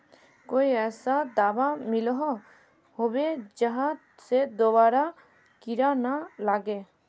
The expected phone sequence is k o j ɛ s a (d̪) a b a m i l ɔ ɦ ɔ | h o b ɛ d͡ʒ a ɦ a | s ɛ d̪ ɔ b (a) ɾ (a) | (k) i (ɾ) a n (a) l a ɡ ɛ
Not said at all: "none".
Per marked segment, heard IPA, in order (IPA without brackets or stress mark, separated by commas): d̪, a, a, k, ɾ, a